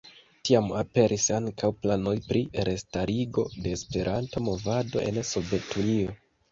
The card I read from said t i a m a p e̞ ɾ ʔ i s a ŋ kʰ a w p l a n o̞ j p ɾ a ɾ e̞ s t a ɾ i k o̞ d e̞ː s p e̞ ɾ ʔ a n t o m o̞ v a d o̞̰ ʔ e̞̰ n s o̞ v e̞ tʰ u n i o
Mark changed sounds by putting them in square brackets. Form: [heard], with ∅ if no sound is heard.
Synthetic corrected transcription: t i a m a p e̞ ɾ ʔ i s a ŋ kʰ a w p l a n o̞ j p ɾ [i] ɾ e̞ s t a ɾ i [ɡ] o̞ d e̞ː s p e̞ ɾ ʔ a n t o m o̞ v a d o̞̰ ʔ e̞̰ n s o̞ v e̞ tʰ u n i o